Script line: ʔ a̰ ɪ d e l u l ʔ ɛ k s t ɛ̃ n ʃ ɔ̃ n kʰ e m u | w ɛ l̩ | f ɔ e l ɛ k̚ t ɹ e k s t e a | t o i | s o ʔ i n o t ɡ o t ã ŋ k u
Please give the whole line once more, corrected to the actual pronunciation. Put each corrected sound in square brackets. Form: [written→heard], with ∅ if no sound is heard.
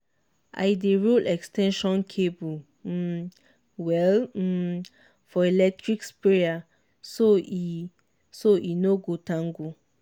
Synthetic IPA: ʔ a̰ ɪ d e [l→ɹ] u l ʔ ɛ k s t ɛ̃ n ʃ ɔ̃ n kʰ e [m→b] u | w ɛ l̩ | f ɔ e l ɛ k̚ t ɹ [e→i] k s [t→p] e a | [t→s] o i | s o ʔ i n o [t→∅] ɡ o t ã ŋ [k→ɡ] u

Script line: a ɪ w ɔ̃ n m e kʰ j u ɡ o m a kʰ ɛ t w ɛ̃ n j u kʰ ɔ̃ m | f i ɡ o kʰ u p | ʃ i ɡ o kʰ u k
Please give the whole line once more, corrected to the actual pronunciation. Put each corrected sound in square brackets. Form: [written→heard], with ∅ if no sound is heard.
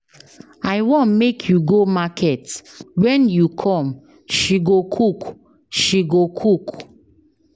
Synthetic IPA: a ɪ w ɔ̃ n m e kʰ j u ɡ o m a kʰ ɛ t w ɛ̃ n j u kʰ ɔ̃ m | [f→ʃ] i ɡ o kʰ u [p→k] | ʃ i ɡ o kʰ u k

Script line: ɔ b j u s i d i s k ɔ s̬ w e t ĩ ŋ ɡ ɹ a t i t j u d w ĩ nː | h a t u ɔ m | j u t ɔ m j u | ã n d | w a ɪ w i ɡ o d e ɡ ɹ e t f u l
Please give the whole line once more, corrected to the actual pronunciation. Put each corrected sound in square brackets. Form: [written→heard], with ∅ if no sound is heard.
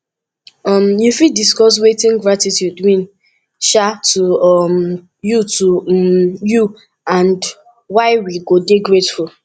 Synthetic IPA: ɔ [b→m] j u [s→f] i d i s k ɔ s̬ w e t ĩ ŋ ɡ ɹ a t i t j u d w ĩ [nː→n] | [h→ʃ] a t u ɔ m | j u t [ɔ→u] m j u | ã n d | w a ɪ w i ɡ o d e ɡ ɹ e t f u l

